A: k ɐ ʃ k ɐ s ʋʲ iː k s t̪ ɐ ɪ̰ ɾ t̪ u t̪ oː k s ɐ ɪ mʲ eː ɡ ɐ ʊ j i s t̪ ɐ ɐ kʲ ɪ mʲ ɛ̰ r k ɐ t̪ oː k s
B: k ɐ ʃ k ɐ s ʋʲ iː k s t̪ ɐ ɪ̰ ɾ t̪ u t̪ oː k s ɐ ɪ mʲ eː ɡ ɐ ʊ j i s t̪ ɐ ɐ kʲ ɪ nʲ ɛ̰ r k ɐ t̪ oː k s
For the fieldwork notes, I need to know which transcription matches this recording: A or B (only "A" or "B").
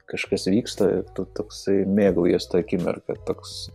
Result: A